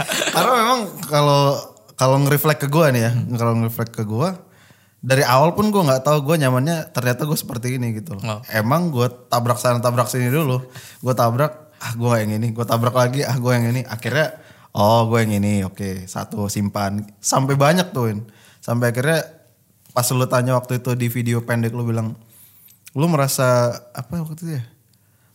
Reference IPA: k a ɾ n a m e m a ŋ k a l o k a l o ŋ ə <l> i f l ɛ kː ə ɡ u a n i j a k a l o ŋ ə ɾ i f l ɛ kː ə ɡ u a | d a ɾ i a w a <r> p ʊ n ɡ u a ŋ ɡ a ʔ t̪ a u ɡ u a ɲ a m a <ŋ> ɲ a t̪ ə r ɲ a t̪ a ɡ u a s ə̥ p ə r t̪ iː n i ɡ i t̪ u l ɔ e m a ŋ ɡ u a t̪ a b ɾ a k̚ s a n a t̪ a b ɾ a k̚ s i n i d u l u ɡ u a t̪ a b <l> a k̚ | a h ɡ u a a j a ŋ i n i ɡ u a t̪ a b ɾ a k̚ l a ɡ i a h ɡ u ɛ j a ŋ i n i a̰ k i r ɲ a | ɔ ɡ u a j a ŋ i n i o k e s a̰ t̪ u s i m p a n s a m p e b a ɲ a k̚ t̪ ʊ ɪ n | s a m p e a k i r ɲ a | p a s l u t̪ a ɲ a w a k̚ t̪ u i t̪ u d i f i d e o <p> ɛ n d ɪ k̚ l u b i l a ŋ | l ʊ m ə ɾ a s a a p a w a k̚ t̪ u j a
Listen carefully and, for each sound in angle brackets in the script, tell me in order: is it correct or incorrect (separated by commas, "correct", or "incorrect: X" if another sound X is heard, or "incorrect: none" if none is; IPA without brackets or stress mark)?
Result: incorrect: ɾ, incorrect: l, incorrect: n, incorrect: ɾ, correct